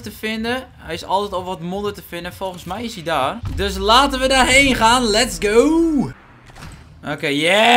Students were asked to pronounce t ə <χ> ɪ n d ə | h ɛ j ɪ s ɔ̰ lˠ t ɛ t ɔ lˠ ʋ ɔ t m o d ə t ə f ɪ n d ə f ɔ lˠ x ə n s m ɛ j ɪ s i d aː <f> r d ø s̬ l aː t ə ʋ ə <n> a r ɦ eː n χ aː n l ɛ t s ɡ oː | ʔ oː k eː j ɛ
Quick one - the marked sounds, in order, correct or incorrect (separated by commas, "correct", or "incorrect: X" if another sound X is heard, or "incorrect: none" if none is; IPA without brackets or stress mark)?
incorrect: f, incorrect: none, incorrect: d